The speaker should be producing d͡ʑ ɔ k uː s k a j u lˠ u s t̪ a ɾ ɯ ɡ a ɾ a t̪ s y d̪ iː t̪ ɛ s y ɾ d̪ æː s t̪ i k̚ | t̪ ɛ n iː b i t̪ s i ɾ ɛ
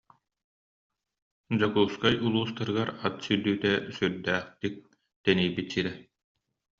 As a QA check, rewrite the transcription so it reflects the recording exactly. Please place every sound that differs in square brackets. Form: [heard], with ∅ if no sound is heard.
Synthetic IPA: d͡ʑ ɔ k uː s k a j u lˠ [uː] s t̪ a ɾ ɯ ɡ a ɾ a t̪ s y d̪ [yː] t̪ ɛ s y ɾ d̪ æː [χ] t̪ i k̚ | t̪ ɛ n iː b i t̪ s i ɾ ɛ